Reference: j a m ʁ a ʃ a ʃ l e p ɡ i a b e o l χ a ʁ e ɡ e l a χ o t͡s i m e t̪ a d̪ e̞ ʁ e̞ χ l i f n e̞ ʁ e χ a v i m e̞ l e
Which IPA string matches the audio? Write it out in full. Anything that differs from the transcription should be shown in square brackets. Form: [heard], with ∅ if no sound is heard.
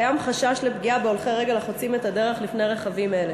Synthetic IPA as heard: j a m [χ] a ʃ a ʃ l e p ɡ i a b e o l χ [e] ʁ e ɡ e l a χ o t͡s i m e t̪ a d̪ e̞ ʁ e̞ χ l i f n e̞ ʁ e χ a v i m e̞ l e